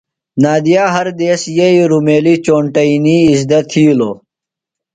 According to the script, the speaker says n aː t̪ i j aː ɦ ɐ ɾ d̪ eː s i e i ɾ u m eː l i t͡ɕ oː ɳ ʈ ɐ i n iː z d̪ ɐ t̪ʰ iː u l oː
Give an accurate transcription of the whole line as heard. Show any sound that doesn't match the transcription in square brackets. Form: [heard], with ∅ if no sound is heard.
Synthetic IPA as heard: n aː [d̪] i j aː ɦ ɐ ɾ d̪ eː s [j] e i ɾ u m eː l i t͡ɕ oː ɳ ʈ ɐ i n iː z d̪ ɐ t̪ʰ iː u l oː